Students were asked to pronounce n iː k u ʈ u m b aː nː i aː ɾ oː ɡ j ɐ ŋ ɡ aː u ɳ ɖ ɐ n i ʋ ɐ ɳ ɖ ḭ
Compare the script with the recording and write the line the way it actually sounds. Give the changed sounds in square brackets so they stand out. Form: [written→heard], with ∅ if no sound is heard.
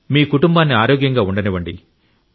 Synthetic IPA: [n→m] iː k u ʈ u m b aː nː i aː ɾ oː ɡ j ɐ ŋ ɡ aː u ɳ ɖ ɐ n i ʋ ɐ ɳ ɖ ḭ